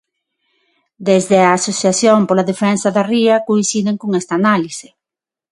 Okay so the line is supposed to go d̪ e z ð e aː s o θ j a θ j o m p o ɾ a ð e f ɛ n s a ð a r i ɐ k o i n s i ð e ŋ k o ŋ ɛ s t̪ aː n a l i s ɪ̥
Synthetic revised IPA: d̪ e z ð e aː s o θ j a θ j o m p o l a ð e f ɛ n s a ð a r i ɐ k o i n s i ð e ŋ k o ŋ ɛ s t̪ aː n a l i s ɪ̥